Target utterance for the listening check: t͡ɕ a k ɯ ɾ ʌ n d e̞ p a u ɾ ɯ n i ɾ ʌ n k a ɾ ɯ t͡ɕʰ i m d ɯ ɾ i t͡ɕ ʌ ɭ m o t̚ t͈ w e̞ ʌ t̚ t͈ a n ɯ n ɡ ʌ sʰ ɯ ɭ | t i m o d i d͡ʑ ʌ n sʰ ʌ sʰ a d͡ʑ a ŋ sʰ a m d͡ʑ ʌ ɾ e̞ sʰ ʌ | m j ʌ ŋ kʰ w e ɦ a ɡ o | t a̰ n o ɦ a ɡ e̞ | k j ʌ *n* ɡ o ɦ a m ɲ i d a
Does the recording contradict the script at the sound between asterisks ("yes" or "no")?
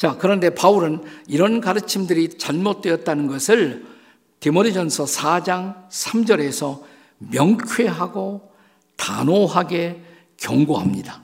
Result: yes